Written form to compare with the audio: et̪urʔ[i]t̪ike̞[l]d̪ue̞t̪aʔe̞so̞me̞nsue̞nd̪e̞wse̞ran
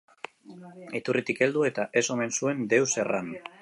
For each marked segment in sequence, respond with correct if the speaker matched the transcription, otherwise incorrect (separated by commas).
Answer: correct, correct